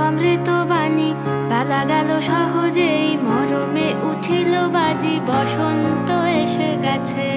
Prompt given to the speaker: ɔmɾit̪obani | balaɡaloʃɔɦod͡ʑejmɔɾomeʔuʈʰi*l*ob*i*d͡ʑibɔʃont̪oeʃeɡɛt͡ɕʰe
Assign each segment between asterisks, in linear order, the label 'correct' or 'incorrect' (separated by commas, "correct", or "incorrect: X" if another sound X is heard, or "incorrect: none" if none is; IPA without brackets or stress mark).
correct, incorrect: a